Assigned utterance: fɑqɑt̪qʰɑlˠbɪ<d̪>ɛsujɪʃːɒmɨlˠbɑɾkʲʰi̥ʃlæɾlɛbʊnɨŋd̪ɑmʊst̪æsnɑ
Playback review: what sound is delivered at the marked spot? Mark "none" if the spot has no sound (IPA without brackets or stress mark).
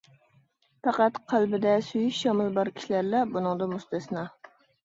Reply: d̪